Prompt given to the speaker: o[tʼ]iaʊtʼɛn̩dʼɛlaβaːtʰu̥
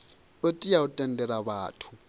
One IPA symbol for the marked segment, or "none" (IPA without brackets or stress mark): tʼ